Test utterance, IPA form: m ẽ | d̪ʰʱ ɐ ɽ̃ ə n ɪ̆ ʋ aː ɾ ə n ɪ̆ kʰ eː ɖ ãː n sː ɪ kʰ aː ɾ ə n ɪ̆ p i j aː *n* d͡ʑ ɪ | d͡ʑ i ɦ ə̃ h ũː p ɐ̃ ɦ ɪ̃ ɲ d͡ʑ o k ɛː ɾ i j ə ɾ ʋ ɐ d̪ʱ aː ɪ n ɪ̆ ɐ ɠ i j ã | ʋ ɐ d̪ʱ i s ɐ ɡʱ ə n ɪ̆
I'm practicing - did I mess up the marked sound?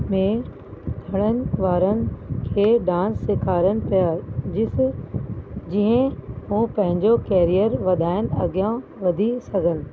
yes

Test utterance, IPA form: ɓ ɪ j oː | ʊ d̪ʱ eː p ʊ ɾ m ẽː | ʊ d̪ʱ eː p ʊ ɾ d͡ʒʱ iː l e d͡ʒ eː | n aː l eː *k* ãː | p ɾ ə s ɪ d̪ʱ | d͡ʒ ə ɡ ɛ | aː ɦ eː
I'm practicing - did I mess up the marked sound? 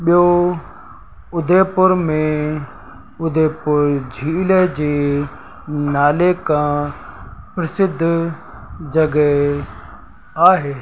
no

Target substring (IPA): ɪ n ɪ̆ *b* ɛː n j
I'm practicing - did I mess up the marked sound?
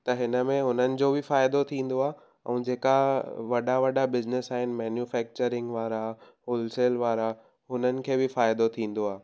yes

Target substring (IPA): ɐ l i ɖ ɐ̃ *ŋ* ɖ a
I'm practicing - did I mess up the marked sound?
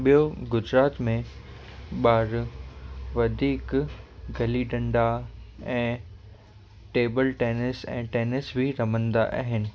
yes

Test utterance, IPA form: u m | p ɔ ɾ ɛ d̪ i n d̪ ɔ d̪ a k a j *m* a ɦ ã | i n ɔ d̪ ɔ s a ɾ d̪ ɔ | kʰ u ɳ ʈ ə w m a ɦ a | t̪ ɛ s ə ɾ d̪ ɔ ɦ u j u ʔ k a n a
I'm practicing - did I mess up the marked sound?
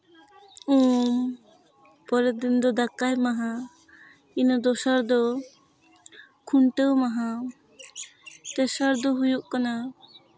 no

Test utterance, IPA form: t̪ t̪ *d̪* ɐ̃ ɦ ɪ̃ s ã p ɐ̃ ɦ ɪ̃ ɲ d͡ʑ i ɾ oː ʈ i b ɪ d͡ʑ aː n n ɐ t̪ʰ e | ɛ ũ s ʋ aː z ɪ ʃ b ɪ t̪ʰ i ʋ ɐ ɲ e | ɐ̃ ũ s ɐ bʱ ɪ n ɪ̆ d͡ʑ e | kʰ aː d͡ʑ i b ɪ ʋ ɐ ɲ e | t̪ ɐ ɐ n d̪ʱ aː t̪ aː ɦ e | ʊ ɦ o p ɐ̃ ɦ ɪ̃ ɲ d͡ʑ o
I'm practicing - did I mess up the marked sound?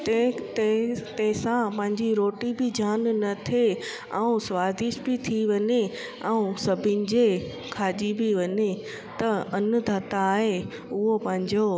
yes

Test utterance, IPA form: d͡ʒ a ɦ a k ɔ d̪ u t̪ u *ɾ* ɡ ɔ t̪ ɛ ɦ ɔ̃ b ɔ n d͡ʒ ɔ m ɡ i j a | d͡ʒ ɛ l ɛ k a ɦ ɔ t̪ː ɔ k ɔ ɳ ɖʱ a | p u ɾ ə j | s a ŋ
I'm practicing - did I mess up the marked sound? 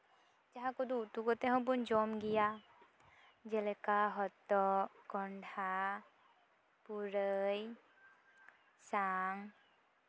yes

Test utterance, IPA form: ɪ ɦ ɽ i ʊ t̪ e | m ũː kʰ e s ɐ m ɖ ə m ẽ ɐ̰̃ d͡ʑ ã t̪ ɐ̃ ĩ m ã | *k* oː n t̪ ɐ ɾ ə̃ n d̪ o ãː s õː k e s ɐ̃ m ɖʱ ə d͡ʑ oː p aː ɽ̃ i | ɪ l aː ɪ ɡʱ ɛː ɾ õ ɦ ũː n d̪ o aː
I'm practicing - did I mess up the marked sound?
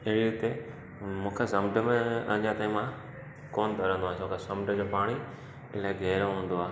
no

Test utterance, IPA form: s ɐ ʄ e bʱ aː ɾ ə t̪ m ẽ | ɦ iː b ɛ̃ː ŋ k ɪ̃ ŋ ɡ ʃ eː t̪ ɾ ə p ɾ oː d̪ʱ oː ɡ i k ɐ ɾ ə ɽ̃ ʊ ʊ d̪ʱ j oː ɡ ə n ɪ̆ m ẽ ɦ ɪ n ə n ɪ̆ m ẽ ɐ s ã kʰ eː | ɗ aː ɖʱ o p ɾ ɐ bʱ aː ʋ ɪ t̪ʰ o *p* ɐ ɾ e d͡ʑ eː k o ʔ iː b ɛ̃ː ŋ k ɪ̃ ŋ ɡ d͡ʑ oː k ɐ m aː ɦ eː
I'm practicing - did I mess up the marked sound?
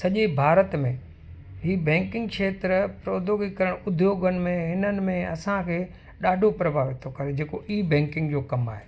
yes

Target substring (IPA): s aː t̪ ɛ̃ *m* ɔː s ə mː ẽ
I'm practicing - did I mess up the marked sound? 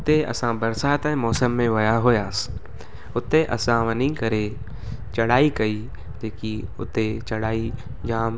no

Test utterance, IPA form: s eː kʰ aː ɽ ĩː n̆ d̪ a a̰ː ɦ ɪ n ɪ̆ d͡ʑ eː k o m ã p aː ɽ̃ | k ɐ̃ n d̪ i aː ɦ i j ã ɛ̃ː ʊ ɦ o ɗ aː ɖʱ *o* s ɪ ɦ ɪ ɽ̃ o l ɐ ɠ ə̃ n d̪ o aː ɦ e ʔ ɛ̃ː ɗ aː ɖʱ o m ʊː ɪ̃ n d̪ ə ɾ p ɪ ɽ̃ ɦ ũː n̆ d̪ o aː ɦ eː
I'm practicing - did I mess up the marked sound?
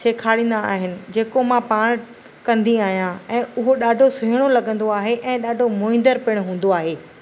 no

